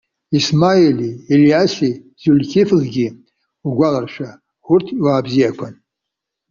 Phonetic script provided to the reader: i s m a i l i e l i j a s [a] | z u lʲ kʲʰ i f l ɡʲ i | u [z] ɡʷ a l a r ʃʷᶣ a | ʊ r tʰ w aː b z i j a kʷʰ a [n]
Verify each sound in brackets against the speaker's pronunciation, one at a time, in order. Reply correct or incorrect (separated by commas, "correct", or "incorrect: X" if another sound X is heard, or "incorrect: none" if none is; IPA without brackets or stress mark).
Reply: incorrect: i, incorrect: none, correct